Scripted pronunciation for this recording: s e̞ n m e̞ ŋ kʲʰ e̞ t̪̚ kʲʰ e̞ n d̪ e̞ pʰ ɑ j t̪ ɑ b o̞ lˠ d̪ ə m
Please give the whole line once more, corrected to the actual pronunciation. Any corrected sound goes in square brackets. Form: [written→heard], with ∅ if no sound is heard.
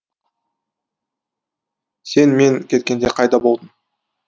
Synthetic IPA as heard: s e̞ n m e̞ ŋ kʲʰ e̞ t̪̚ [kʲʰ→kʲ] e̞ n d̪ e̞ [pʰ→qʰ] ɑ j [t̪→d̪] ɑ b o̞ lˠ d̪ ə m